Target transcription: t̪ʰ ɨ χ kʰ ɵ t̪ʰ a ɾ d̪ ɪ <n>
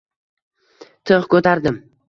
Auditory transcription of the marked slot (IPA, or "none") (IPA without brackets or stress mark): m